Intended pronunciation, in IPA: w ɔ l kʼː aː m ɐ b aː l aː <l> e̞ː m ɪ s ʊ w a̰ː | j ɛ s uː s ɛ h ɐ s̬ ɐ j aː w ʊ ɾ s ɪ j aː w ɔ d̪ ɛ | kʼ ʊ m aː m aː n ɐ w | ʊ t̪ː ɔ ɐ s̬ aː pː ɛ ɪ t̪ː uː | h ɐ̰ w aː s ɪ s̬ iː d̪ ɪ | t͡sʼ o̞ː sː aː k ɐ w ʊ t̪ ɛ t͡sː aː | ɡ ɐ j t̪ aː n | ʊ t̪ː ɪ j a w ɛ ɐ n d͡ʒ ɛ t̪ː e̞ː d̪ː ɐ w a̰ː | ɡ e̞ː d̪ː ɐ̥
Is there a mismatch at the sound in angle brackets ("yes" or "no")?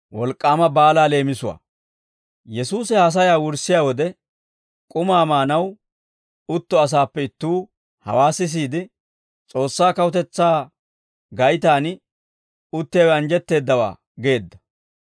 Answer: no